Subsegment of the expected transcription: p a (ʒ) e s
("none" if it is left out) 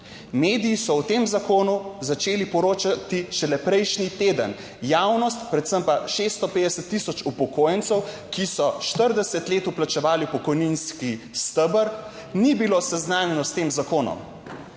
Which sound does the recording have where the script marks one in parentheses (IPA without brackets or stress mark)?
ʃ